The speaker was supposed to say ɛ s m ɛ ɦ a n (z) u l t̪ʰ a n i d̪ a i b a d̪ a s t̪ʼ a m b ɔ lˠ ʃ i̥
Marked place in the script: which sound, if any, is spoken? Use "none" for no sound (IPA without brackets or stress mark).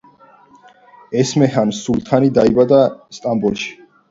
s